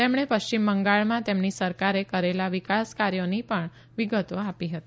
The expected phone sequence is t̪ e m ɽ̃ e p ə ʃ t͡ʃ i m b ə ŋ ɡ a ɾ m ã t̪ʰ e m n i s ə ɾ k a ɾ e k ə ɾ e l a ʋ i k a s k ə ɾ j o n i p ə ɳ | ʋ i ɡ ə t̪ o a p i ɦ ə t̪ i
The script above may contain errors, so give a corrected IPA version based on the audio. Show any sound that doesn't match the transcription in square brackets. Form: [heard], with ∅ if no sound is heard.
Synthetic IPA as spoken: t̪ e m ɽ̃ e p ə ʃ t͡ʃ i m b ə ŋ ɡ a [ɭ] m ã [t̪] e m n i s ə ɾ k a ɾ e k ə ɾ e l a ʋ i k a s k [a] ɾ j o n i p ə ɳ | ʋ i ɡ ə t̪ o a p i ɦ ə t̪ i